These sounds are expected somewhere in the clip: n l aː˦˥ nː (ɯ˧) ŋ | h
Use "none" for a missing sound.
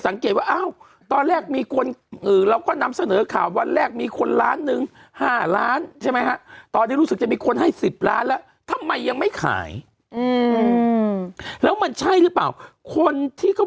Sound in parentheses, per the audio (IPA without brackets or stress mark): ɯ˧